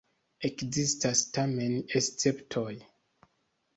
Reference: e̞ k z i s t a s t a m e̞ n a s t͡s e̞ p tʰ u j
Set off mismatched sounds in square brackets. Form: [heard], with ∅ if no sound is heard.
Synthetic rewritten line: e̞ k z i s t a s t a m e̞ n [e] s t͡s e̞ p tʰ [o] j